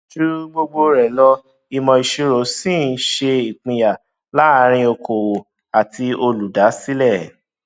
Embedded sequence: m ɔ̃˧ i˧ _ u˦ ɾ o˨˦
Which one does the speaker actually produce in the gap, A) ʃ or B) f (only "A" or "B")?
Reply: A